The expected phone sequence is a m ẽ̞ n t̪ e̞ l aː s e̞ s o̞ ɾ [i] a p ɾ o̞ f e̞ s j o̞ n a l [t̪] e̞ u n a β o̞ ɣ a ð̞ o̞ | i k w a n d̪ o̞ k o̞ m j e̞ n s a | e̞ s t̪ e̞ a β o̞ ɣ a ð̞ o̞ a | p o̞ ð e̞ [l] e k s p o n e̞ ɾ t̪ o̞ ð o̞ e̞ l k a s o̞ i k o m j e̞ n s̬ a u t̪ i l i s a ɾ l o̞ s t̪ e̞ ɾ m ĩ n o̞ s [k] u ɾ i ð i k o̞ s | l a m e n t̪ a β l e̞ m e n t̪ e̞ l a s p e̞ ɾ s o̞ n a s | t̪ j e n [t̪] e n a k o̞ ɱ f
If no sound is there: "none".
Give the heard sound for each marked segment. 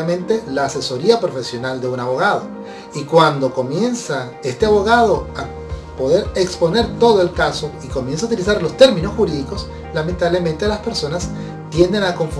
i, d̪, ɾ, x, d̪

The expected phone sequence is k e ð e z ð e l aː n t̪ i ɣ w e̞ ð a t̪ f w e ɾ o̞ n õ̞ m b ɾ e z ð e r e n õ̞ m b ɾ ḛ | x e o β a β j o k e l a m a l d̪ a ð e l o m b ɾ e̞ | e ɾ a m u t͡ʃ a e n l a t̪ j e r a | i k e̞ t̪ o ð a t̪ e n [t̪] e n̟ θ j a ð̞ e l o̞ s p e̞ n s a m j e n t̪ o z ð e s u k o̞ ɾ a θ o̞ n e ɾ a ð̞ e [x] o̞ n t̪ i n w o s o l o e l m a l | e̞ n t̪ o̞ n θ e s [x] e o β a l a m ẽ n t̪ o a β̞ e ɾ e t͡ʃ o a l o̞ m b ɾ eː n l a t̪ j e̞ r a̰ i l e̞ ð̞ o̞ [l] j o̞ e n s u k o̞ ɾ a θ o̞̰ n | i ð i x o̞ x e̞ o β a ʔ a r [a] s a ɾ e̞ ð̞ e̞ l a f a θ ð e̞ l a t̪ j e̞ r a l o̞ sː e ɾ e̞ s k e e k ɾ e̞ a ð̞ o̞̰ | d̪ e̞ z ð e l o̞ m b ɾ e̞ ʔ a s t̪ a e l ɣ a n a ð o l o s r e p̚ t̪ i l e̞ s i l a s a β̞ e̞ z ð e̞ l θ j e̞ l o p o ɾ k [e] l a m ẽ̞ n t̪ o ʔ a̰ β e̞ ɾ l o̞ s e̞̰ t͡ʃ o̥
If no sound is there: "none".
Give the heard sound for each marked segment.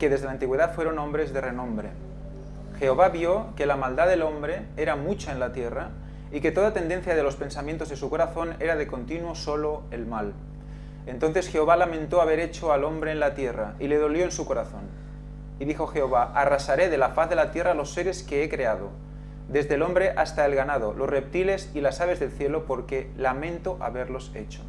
d̪, k, x, l, a, e

